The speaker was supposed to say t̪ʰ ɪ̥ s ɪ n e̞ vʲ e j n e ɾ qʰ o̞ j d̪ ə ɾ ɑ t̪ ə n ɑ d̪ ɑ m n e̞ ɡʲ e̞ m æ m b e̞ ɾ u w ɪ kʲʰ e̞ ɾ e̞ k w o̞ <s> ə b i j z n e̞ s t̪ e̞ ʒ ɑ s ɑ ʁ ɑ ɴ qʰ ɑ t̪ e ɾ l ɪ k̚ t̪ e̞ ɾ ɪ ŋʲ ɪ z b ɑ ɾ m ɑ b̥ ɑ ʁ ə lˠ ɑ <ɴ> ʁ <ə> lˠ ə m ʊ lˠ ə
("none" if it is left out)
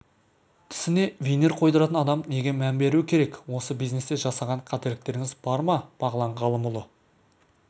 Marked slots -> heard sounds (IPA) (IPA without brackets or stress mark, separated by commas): s, ɴ, ɑ